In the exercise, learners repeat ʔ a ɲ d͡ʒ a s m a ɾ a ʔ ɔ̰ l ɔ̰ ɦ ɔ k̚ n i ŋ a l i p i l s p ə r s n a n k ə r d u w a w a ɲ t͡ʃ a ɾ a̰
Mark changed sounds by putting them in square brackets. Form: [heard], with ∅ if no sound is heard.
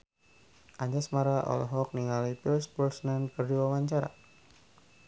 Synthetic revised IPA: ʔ a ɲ d͡ʒ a s m a ɾ a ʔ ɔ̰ l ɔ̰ ɦ ɔ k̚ n i ŋ a l i p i l s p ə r s n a n k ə r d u w a w a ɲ t͡ʃ a ɾ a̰